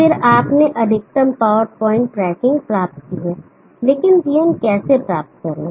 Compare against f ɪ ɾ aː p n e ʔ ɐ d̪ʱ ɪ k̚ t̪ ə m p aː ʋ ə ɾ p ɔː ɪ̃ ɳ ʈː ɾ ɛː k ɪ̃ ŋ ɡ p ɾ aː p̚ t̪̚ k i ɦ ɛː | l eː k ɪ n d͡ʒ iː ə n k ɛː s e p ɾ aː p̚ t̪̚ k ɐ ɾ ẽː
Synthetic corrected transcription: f ɪ ɾ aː p n e ʔ ɐ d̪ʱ ɪ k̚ t̪ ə m p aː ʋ ə ɾ p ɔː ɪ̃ ɳ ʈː ɾ ɛː k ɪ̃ ŋ ɡ p ɾ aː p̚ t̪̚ k i ɦ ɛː | l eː k ɪ n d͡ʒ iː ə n k ɛː s e p ɾ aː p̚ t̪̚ k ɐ ɾ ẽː